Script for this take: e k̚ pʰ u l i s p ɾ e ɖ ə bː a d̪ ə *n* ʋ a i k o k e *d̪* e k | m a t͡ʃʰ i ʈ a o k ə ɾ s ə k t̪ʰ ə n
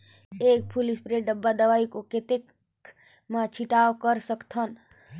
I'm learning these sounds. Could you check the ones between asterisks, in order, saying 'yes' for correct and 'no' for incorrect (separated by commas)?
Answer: no, no